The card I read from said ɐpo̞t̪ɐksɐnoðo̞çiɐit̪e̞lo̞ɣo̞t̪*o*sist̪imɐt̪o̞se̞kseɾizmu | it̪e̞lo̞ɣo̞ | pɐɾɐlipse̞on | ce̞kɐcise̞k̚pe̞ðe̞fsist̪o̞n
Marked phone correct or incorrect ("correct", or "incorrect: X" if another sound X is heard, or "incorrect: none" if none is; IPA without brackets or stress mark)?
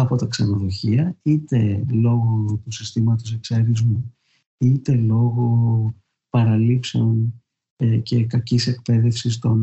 incorrect: u